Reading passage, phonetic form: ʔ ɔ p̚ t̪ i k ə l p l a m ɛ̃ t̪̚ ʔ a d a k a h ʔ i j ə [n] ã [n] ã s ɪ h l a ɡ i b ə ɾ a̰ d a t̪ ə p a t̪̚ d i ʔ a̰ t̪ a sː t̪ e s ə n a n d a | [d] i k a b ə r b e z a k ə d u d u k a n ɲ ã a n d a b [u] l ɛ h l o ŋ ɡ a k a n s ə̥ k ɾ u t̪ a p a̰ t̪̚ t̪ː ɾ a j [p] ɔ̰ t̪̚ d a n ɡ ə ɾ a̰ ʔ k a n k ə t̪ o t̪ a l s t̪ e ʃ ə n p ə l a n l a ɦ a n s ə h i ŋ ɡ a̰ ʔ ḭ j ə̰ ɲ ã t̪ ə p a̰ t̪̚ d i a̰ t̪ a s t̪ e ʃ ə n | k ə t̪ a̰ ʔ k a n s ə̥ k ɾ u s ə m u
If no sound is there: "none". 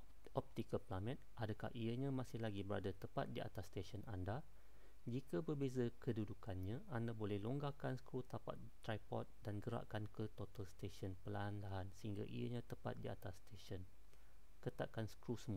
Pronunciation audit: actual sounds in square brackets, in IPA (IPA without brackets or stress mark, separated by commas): ɲ, m, d͡ʒ, o, p